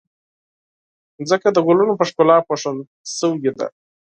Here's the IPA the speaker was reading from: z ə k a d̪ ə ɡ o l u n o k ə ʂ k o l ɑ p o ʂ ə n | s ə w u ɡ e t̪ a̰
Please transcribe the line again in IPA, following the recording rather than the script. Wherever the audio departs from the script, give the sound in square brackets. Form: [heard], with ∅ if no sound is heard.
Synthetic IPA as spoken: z ə k a d̪ ə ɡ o l u n o [p] ə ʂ k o l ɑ p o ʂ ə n | s ə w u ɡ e [d̪] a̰